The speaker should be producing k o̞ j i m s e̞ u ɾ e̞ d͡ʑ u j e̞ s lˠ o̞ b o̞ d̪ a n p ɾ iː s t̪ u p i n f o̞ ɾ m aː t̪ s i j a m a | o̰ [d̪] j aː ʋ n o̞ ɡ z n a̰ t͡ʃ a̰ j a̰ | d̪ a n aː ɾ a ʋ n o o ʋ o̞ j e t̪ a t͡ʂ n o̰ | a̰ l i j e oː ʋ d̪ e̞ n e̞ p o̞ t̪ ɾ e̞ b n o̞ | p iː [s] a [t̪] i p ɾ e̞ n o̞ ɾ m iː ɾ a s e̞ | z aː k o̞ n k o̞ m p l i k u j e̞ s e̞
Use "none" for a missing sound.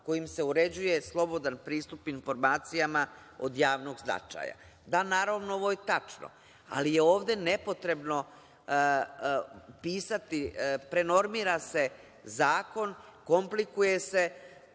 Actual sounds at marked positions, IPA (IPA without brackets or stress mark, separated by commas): d̪, s, t̪